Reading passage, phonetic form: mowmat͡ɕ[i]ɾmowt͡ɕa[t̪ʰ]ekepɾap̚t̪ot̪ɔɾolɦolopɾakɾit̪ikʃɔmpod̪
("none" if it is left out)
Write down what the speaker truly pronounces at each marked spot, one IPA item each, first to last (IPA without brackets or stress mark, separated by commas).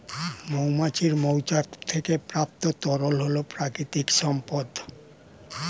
i, t̪ʰ